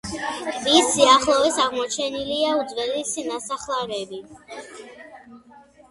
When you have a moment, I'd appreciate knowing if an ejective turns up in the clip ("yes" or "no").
no